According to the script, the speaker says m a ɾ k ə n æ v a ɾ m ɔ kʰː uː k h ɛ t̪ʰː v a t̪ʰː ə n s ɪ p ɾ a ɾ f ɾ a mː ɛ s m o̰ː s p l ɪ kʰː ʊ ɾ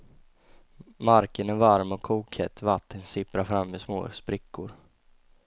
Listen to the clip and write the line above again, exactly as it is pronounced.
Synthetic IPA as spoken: m a ɾ k ə n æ v a ɾ m ɔ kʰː uː k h ɛ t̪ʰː v a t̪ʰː ə n s ɪ p ɾ a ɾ f ɾ a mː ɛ s m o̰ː s p ɾ ɪ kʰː ʊ ɾ